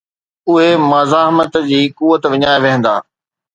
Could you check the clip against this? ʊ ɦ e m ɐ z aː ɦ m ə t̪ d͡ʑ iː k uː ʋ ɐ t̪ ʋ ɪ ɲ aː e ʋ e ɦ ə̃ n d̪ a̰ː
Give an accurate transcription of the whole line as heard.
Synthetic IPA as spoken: ʊ ɦ e m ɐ z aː ɦ m ə t̪ d͡ʑ iː k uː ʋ ə t̪ ʋ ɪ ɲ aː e ʋ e ɦ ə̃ n d̪ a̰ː